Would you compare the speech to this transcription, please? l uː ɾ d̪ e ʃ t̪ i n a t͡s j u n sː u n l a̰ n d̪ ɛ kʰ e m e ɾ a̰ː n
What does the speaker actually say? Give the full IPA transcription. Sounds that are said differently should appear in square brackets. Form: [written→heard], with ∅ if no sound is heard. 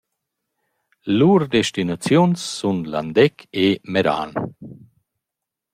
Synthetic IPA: l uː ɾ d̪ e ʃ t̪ i n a t͡s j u n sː u n l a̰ n d̪ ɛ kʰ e m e ɾ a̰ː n